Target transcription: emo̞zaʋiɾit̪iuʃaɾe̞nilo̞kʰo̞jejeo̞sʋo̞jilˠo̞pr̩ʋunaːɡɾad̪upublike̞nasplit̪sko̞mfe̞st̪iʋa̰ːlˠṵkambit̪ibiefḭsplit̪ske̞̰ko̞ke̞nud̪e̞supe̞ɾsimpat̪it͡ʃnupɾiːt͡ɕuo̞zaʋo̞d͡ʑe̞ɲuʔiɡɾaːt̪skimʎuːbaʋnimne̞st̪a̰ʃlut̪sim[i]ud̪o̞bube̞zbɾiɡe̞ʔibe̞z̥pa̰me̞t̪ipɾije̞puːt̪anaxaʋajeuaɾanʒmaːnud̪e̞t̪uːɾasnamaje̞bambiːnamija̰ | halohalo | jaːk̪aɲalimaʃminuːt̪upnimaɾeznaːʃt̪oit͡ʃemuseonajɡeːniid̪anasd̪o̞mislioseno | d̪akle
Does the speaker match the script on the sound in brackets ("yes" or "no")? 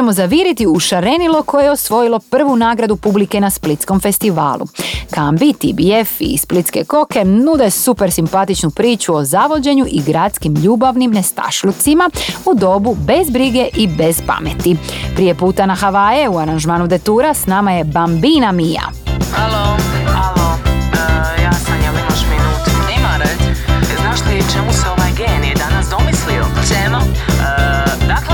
no